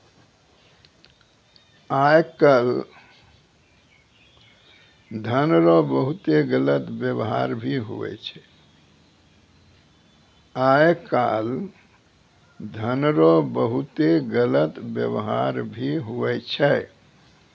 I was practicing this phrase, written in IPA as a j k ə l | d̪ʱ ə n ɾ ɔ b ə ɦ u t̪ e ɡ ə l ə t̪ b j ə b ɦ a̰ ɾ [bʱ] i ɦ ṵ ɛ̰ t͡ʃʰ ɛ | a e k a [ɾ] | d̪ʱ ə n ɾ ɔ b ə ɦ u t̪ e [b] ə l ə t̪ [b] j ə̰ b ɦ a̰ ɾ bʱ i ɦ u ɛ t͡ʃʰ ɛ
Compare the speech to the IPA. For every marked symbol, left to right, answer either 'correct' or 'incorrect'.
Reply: correct, incorrect, incorrect, correct

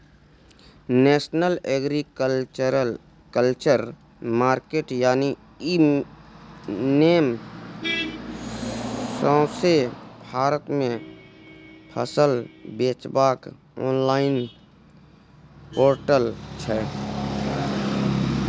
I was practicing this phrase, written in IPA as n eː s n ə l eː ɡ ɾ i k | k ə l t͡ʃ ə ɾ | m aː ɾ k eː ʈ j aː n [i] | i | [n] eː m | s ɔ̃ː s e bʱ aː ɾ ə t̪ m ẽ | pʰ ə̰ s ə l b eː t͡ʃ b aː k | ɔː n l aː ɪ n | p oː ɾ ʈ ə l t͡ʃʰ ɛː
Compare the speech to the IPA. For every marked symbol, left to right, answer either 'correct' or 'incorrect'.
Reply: correct, correct

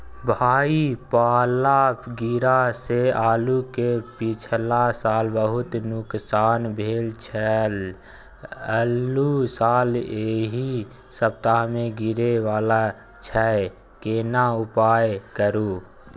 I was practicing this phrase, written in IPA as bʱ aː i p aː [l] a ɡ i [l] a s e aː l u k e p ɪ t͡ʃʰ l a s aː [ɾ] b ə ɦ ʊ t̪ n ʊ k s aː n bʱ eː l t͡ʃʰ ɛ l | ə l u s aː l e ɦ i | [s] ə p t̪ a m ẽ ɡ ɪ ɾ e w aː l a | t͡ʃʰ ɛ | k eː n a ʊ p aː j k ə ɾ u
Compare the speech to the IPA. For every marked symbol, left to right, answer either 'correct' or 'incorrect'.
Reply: correct, incorrect, incorrect, correct

